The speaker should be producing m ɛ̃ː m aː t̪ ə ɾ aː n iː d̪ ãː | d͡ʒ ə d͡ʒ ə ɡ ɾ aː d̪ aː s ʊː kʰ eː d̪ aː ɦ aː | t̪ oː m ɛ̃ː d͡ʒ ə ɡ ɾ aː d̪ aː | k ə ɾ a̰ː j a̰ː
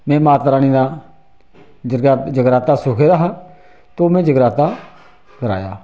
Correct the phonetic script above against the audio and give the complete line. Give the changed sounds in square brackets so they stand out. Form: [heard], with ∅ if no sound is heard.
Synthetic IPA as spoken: m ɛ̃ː m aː t̪ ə ɾ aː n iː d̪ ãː | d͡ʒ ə d͡ʒ ə ɡ ɾ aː [t̪] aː s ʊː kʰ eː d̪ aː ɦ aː | t̪ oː m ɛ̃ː d͡ʒ ə ɡ ɾ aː [t̪] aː | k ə ɾ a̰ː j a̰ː